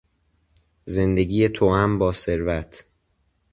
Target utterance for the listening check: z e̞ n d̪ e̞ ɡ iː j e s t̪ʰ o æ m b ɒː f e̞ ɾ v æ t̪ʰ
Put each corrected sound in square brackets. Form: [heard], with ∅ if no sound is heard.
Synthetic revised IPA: z e̞ n d̪ e̞ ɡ iː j e [∅] t̪ʰ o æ m b ɒː [s] e̞ ɾ v æ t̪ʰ